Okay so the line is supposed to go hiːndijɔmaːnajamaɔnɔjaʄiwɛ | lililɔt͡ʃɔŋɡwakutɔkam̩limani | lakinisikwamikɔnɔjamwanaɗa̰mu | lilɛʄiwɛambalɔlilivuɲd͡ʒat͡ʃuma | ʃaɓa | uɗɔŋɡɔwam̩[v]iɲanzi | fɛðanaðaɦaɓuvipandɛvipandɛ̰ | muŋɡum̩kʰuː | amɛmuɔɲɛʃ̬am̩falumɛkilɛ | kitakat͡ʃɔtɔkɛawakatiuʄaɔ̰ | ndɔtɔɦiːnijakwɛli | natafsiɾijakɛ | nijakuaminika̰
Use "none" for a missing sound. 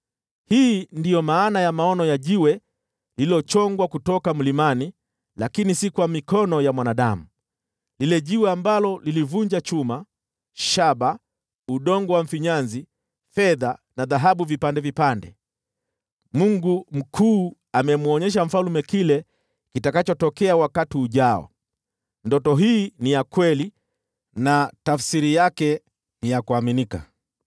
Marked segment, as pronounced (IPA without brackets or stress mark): f